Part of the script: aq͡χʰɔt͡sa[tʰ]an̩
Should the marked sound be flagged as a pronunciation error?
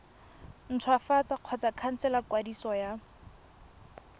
yes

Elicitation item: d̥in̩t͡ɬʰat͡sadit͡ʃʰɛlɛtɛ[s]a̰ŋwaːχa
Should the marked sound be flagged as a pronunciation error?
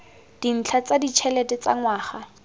yes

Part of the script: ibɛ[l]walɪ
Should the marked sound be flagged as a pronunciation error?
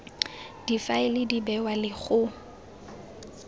yes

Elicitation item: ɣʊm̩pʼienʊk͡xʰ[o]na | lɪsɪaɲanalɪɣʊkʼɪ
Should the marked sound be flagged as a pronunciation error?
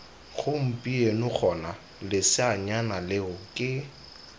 yes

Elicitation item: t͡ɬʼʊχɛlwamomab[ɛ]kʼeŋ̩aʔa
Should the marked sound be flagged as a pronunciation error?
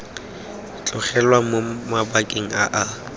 yes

